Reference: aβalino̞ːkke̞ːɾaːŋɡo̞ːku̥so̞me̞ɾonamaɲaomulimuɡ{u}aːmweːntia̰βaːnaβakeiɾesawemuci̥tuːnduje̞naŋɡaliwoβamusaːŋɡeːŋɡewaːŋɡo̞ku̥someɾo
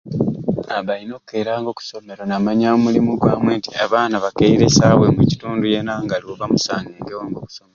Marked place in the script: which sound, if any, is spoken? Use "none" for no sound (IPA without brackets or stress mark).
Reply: w